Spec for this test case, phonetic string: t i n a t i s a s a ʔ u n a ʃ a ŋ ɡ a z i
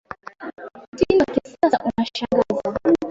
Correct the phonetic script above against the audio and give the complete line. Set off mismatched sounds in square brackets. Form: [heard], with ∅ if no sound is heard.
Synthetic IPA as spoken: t i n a [k] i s a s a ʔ u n a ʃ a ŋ ɡ a z [a]